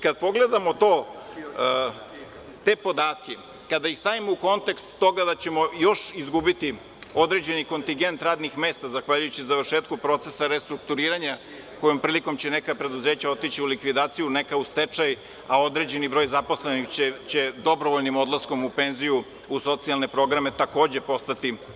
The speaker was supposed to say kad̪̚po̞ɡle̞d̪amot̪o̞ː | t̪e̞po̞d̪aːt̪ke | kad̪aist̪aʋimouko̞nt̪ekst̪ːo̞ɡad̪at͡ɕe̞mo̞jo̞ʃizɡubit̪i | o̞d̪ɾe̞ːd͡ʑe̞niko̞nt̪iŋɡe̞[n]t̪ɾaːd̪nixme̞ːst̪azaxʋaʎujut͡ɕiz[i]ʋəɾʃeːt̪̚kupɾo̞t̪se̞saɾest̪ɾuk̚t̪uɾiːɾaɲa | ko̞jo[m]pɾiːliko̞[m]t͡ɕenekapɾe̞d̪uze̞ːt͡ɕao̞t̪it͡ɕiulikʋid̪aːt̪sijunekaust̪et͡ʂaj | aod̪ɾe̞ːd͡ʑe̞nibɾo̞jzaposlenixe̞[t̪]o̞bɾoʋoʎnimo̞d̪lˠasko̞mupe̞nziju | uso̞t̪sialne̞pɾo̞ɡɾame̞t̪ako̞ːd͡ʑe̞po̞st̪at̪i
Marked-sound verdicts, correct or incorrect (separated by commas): correct, incorrect, correct, correct, incorrect